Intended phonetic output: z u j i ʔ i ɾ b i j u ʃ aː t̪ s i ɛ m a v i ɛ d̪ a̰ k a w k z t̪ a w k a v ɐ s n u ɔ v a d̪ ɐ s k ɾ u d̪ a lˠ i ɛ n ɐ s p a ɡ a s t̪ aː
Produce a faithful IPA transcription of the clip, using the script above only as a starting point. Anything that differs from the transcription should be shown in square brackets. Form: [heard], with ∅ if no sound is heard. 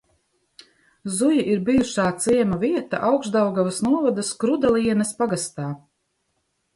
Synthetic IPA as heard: z u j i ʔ i ɾ b i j u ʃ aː t̪ s i ɛ m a v i ɛ [t̪] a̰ [ʔ] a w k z [d̪] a w [ɡ] a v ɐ s n u ɔ v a d̪ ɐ s k ɾ u d̪ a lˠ i ɛ n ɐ s p a ɡ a s t̪ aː